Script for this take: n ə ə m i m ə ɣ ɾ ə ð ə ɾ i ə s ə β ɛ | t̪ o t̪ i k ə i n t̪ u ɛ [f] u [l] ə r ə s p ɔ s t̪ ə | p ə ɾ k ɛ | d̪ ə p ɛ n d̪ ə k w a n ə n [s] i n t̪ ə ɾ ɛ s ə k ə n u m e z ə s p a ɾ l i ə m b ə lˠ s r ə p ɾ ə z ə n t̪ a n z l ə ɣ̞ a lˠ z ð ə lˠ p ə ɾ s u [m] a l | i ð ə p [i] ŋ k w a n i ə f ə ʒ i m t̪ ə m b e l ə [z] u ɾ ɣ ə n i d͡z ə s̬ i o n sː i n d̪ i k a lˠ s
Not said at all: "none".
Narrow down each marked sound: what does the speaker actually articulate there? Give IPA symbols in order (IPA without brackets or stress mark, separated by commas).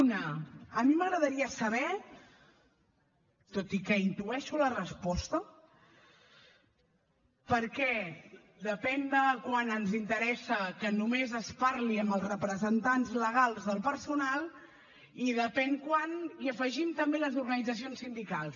ʃ, l, z, n, ɛ, z